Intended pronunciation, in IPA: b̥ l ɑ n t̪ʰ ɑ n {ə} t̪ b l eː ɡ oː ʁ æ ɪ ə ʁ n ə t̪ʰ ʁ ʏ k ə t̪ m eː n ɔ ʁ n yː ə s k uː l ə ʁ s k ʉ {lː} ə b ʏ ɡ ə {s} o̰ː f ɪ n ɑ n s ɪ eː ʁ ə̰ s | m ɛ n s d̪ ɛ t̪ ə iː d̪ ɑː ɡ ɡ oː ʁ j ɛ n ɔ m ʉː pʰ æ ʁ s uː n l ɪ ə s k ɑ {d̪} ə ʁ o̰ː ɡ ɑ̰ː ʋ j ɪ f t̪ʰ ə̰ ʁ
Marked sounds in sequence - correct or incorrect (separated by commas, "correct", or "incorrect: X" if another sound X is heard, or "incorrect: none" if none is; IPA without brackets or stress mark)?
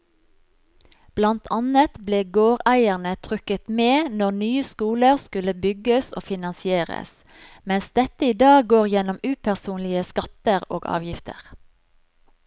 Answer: correct, incorrect: l, correct, incorrect: t̪